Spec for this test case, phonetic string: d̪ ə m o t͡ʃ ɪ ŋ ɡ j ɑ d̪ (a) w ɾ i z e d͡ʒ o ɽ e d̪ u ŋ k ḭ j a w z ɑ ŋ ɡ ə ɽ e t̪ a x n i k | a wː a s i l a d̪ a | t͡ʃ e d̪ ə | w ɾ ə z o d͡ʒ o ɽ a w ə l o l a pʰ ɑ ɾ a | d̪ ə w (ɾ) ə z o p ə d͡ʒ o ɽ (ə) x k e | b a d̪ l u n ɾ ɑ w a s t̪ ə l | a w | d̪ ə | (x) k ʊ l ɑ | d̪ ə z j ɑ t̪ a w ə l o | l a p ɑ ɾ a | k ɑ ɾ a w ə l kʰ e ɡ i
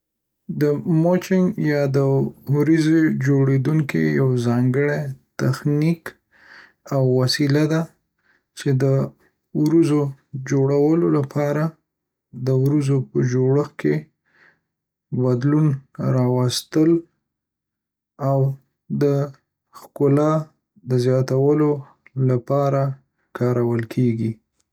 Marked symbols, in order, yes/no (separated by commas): no, yes, yes, yes